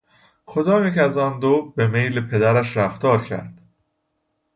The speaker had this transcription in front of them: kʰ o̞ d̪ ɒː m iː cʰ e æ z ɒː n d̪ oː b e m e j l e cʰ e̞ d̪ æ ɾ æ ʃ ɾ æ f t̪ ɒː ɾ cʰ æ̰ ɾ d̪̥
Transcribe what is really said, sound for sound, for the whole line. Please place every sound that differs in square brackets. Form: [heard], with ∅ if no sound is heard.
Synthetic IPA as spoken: kʰ o̞ d̪ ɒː m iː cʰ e æ z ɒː n d̪ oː b e m e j l e [pʰ] e̞ d̪ æ ɾ æ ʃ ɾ æ f t̪ ɒː ɾ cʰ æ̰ ɾ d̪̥